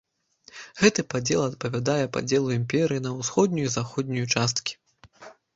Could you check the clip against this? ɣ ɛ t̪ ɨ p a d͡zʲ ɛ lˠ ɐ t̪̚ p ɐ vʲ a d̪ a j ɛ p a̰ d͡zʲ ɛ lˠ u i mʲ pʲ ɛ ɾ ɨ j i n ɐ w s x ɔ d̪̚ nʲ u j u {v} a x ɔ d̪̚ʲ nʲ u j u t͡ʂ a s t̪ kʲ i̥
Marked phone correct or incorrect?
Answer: incorrect